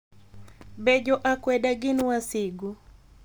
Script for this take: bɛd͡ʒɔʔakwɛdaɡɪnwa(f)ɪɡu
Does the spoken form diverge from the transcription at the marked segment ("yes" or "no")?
yes